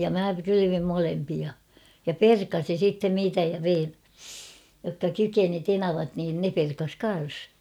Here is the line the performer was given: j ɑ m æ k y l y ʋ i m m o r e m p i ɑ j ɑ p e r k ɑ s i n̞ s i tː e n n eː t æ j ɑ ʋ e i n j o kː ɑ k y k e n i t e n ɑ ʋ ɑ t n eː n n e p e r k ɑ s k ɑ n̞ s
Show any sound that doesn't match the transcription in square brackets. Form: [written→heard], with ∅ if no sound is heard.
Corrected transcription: j ɑ m æ k y l y ʋ i m m o [r→l] e m p i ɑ j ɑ p e r k ɑ s i n̞ s i tː e n n [eː→iː] t æ j ɑ ʋ e i n j o kː ɑ k y k e n i t e n ɑ ʋ ɑ t n [eː→iː] n n e p e r k ɑ s k ɑ n̞ s